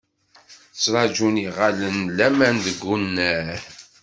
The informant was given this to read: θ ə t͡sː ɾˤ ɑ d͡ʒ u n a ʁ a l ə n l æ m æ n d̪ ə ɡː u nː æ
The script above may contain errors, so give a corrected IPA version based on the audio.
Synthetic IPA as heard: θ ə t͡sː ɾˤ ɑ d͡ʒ u n i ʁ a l ə n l æ m æ n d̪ ə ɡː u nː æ